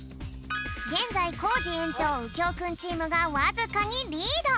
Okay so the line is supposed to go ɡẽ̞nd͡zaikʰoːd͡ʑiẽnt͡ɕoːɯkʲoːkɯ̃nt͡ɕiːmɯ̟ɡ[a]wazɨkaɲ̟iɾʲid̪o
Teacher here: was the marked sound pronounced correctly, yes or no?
yes